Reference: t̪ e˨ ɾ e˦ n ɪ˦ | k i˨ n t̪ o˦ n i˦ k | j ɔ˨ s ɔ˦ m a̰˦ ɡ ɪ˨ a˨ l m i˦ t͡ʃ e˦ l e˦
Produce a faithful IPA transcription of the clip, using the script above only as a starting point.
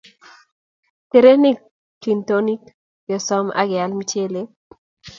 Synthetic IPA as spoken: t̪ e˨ ɾ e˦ n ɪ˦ | k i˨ n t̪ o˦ n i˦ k | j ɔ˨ s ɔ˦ m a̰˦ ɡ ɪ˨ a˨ l m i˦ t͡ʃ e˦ l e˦